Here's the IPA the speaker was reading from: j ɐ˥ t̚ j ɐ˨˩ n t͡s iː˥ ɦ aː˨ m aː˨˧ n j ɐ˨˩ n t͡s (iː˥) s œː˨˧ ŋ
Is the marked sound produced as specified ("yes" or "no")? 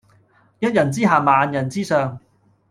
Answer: yes